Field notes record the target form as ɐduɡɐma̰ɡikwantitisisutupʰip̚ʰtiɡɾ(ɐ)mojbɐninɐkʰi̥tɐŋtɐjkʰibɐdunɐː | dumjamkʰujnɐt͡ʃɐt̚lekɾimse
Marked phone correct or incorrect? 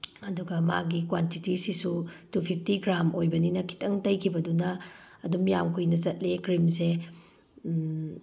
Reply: incorrect